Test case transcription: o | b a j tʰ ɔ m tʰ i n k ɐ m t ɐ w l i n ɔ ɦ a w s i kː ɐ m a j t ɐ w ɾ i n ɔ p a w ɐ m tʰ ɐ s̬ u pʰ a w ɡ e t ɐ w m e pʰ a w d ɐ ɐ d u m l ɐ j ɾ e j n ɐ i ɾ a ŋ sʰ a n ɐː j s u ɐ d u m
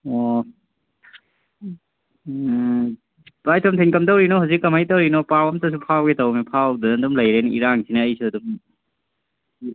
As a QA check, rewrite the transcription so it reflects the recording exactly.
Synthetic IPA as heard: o | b a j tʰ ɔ m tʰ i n k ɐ m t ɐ w ɾ i n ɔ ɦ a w z i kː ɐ m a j t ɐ w ɾ i n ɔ p a w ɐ m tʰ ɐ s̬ u pʰ a w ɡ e t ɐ w m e pʰ a w d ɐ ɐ d u m l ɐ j ɾ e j n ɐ i ɾ a ŋ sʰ i n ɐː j s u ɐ d u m